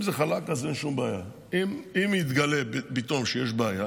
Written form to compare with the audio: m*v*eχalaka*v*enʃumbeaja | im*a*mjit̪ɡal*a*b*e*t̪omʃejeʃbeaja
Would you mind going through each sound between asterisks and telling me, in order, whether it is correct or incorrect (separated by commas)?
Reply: incorrect, incorrect, incorrect, incorrect, incorrect